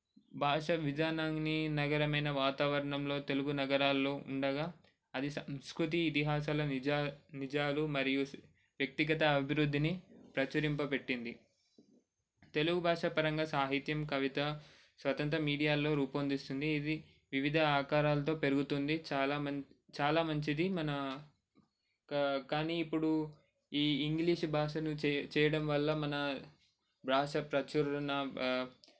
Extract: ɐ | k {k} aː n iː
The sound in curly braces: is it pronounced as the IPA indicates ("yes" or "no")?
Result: yes